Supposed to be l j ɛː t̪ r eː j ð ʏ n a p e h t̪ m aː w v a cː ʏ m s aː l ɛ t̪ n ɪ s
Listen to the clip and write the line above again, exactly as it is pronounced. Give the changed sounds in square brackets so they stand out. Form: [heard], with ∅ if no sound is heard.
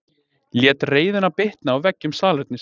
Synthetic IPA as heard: l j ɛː t̪ r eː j ð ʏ n a p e h t̪ [n] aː w v [ɛ] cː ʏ m s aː l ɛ t̪ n ɪ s